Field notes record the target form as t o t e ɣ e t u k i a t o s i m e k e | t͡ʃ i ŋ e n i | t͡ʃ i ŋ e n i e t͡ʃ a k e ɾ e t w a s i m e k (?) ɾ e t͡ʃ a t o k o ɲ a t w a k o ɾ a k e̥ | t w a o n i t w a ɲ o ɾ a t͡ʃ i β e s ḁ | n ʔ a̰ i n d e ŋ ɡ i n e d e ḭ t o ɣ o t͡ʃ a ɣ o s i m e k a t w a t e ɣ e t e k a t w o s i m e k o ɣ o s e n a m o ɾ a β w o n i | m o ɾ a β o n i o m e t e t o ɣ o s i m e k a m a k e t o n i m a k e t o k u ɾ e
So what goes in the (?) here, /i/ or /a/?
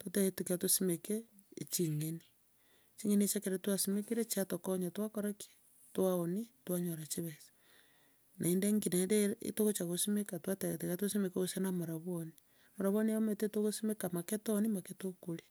i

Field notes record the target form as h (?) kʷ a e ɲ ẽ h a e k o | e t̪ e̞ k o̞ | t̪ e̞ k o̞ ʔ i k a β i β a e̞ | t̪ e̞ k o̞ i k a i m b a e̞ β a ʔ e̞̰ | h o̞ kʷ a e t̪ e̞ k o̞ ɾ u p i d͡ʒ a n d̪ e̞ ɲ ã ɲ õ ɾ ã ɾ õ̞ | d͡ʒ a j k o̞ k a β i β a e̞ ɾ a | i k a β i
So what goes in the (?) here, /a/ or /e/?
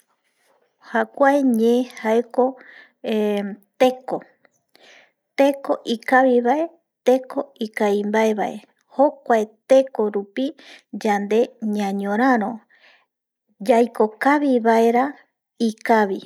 a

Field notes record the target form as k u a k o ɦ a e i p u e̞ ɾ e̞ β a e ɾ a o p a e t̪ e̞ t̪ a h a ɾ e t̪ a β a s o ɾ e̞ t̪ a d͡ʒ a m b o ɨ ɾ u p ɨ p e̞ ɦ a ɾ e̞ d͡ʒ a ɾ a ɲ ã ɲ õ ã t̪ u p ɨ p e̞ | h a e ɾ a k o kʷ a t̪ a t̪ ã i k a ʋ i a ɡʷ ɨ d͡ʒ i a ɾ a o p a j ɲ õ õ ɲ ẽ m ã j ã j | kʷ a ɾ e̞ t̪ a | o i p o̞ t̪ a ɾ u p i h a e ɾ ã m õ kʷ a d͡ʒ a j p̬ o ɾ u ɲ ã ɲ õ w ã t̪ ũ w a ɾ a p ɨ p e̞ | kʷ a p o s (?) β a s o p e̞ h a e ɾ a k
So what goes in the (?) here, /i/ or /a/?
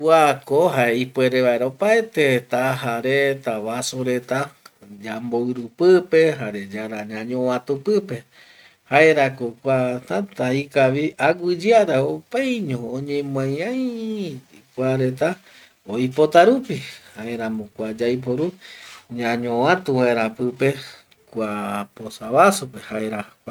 a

